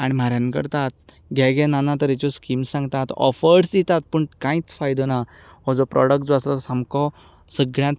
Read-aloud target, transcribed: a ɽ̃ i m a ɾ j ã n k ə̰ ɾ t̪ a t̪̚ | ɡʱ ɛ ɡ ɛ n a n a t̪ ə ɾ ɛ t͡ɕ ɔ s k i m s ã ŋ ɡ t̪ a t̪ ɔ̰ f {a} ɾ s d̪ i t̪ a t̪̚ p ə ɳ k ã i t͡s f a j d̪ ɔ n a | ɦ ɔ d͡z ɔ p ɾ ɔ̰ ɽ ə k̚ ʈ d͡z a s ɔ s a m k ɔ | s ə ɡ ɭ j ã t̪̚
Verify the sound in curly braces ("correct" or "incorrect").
incorrect